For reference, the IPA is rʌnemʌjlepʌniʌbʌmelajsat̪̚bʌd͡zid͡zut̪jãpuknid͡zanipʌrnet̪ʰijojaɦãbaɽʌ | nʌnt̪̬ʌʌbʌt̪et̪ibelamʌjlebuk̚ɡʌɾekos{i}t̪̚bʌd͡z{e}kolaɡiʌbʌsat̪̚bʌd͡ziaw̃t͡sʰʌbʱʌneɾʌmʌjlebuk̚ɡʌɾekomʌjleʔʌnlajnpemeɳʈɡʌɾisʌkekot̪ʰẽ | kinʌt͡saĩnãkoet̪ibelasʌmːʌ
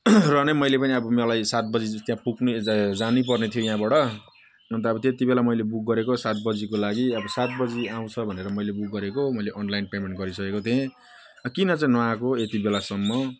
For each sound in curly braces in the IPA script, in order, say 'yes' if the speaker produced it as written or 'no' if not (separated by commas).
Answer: no, no